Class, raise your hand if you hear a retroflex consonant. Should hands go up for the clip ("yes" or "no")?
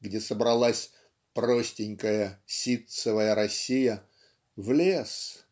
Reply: no